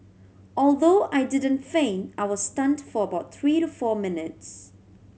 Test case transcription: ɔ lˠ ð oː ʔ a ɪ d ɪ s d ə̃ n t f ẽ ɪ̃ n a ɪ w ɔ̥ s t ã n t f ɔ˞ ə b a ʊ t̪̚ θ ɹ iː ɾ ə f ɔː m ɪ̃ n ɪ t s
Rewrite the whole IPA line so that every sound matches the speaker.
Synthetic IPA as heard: ɔ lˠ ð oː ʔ a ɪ d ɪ d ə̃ n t f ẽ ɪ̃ n a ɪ w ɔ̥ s t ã n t f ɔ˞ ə b a ʊ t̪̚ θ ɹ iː ɾ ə f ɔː m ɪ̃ n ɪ t s